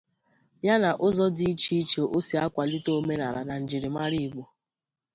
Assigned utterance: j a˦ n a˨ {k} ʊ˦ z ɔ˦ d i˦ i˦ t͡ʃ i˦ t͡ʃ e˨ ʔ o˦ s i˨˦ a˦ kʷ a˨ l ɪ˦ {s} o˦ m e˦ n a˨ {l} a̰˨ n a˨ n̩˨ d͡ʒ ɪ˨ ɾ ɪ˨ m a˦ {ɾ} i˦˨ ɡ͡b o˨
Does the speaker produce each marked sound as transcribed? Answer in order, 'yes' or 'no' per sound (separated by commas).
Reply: no, no, no, yes